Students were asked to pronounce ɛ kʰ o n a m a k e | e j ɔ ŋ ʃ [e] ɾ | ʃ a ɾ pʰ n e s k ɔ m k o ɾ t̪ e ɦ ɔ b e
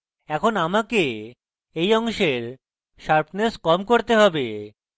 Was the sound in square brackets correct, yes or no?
yes